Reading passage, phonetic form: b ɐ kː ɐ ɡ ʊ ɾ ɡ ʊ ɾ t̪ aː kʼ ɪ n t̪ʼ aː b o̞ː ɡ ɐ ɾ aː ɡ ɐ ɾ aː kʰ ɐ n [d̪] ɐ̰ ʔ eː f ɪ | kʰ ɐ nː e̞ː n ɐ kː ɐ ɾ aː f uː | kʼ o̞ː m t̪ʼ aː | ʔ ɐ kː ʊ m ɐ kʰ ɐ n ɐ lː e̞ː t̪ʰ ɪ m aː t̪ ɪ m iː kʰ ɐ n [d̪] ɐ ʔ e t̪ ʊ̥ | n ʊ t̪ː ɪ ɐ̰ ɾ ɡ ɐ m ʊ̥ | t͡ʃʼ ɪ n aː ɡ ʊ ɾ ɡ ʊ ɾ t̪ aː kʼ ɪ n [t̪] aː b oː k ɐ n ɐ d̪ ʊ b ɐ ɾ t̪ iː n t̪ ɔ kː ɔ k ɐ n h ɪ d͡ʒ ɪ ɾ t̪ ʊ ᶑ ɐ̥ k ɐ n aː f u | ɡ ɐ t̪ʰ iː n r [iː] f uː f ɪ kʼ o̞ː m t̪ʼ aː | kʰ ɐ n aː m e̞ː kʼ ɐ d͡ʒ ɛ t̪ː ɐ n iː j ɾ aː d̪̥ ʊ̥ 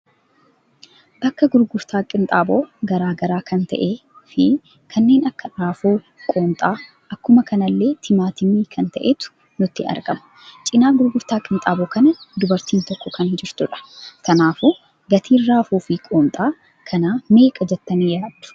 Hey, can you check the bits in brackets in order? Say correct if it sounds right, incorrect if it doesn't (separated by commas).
incorrect, incorrect, incorrect, incorrect